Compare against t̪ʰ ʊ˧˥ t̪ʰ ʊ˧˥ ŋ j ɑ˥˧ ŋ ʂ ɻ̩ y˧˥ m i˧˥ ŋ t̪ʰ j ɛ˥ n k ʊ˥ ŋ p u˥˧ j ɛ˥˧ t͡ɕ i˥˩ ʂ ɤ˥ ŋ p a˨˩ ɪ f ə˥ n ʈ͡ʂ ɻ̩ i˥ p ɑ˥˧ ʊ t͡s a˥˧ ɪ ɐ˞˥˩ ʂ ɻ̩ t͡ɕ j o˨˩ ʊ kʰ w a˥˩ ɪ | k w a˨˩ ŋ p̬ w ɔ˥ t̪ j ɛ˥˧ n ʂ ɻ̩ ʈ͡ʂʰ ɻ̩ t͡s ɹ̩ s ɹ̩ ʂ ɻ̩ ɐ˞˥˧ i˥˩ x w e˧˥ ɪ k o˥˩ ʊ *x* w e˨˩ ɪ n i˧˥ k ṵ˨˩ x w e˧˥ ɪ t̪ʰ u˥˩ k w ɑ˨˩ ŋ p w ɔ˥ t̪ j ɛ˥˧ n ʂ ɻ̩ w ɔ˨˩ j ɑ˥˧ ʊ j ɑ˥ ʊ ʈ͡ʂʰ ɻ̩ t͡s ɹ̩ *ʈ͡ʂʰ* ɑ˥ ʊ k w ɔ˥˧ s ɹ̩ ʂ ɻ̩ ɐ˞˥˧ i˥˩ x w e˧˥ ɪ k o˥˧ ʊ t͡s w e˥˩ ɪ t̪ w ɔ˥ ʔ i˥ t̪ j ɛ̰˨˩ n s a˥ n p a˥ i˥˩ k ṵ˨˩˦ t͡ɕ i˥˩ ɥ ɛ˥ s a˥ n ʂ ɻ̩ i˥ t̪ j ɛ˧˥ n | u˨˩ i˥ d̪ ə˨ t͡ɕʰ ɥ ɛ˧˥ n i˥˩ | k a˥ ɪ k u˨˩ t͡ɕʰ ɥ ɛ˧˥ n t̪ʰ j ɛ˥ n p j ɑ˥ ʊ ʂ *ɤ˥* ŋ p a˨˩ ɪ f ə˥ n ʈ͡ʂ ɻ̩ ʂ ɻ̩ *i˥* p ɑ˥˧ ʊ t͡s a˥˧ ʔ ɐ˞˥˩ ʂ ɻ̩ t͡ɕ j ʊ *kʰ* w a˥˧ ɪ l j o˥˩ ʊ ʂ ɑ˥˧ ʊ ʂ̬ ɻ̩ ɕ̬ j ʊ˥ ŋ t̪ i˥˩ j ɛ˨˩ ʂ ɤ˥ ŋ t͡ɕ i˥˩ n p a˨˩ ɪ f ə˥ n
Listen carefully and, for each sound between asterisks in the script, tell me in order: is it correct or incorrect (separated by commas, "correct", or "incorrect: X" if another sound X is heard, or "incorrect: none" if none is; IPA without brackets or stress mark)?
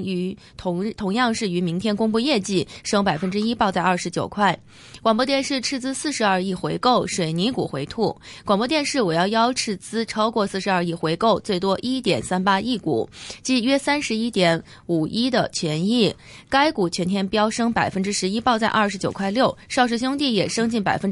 incorrect: ʂ, correct, correct, correct, correct